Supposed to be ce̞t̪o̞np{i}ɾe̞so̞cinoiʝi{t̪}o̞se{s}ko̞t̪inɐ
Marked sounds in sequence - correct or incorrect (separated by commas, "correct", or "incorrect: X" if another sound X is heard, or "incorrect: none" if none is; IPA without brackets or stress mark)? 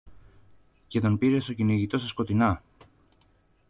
correct, correct, correct